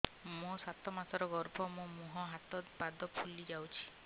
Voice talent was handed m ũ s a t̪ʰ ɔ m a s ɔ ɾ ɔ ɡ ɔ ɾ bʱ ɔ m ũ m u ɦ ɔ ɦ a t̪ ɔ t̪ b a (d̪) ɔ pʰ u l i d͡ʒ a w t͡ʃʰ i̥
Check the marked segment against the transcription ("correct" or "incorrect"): correct